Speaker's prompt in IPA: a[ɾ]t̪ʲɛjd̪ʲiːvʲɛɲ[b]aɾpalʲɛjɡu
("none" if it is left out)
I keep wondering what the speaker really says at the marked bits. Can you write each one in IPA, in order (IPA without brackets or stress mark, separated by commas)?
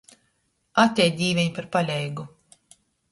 none, p